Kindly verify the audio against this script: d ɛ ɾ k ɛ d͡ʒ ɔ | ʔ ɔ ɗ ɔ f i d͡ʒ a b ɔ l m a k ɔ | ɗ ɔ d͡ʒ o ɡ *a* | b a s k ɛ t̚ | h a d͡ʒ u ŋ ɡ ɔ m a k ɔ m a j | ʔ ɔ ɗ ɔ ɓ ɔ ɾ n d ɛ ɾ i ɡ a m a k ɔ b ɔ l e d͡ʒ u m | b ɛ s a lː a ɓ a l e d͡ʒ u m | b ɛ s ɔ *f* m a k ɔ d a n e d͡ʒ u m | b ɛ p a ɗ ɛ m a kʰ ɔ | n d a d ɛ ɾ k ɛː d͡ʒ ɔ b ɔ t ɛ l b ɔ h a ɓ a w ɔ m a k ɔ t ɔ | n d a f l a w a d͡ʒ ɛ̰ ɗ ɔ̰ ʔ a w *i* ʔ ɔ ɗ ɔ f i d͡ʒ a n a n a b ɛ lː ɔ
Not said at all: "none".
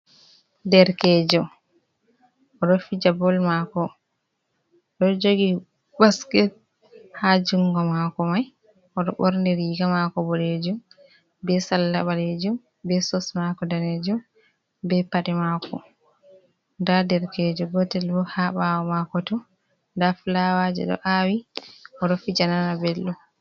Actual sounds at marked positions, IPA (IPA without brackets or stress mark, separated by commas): i, s, i